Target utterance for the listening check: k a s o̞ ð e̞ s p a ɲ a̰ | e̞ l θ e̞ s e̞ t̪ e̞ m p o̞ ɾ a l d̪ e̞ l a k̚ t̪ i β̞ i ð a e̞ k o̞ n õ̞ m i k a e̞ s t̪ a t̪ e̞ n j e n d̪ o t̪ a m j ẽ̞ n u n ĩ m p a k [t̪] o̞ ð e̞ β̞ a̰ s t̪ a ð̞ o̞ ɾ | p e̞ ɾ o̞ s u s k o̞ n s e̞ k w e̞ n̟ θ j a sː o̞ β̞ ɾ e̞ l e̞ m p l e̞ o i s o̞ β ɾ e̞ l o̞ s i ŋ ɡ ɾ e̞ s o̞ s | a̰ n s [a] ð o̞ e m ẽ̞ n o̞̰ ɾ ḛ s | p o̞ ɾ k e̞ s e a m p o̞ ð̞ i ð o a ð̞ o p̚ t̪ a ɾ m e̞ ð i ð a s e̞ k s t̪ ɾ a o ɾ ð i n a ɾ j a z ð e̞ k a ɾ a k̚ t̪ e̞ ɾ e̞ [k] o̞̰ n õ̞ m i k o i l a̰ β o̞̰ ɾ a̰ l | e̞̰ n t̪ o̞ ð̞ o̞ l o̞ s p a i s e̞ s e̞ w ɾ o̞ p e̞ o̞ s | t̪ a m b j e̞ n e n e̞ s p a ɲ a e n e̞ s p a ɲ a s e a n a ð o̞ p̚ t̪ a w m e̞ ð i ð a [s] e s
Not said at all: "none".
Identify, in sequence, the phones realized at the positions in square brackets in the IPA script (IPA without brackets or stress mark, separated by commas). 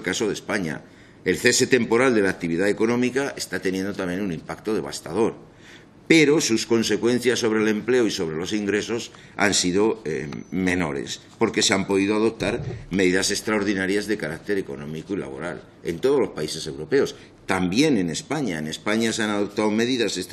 t̪, i, k, s